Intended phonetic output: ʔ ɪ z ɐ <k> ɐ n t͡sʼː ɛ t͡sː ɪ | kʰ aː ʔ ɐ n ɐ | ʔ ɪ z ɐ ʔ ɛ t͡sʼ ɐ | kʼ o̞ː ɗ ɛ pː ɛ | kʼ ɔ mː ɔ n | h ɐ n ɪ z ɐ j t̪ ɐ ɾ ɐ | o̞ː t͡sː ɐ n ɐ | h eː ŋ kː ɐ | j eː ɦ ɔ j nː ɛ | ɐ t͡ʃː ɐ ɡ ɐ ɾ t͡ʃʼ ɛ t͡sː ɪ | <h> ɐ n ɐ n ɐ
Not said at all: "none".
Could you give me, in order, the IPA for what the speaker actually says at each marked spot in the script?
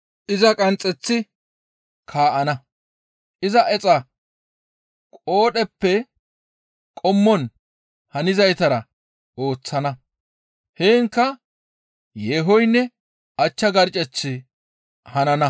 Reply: kʼ, h

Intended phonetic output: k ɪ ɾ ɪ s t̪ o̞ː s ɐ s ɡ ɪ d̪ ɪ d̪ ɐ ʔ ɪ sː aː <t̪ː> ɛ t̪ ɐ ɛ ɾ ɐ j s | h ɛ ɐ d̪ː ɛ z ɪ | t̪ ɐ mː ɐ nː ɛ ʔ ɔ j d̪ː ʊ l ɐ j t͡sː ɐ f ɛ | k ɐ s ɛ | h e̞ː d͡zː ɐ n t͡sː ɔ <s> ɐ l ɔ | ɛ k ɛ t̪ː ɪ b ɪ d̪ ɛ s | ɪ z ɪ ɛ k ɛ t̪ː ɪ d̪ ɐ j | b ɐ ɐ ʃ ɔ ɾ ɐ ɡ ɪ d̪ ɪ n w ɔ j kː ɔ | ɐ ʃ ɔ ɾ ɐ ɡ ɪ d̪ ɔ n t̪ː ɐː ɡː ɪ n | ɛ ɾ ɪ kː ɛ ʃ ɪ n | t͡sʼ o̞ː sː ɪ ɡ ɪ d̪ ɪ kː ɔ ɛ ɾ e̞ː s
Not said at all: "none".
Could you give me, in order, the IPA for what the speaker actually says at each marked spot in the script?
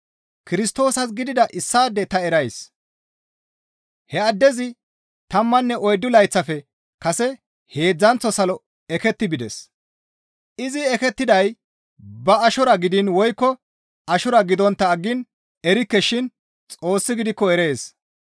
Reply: d̪ː, s

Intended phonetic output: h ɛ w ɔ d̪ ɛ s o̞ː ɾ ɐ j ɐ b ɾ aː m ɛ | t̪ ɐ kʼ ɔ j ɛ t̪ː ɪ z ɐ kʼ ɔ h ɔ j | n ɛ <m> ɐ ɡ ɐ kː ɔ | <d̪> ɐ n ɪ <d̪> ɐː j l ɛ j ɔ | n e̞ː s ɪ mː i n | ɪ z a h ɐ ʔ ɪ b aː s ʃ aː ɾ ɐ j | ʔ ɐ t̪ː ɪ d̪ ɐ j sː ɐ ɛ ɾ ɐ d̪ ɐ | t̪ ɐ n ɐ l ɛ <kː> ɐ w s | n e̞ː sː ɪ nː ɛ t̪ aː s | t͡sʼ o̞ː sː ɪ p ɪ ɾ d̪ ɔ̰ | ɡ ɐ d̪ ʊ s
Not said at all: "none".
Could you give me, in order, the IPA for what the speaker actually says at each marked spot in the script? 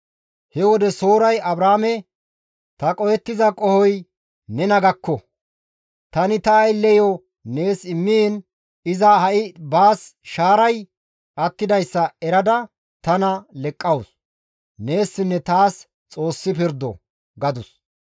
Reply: n, t̪, t̪, kʼː

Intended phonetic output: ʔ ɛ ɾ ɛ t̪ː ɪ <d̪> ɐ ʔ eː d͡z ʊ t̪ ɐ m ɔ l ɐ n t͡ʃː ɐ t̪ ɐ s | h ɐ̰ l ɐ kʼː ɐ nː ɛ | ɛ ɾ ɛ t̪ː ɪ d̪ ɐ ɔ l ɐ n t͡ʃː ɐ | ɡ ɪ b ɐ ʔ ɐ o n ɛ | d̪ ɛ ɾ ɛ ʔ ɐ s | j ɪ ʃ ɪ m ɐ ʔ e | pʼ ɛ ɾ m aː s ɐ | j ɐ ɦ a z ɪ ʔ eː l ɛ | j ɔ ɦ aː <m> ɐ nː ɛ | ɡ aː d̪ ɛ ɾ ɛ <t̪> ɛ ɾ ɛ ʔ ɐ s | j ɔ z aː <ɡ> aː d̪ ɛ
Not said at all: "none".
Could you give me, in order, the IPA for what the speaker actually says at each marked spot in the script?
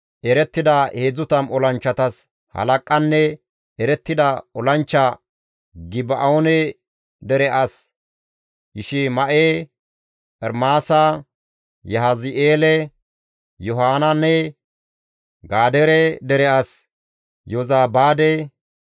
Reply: d̪, n, d̪, b

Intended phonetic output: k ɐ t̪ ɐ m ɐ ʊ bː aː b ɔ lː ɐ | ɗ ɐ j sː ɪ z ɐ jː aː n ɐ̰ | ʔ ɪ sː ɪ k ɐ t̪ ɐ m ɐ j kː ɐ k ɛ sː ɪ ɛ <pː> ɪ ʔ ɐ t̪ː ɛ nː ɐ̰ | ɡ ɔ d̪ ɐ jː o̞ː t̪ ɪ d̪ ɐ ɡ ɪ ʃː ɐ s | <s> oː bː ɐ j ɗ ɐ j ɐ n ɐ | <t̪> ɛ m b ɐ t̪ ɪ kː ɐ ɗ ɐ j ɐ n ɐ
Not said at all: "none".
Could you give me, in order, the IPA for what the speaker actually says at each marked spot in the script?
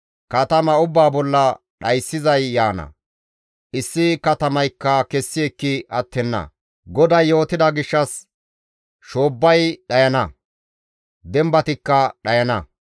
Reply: kː, ʃ, d̪

